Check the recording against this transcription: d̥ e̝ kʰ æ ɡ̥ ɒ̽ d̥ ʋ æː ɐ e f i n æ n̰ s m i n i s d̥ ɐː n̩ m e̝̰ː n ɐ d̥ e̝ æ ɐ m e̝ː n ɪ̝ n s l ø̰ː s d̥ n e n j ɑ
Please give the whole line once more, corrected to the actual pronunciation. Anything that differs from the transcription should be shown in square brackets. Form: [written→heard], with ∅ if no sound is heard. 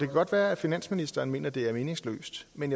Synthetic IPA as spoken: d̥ e̝ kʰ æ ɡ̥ ɒ̽ d̥ ʋ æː ɐ [e→æ] f i n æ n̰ s m i n i s d̥ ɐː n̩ m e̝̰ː n ɐ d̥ e̝ æ ɐ m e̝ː n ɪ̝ [n→ŋ] s l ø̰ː s d̥ [n→m] e n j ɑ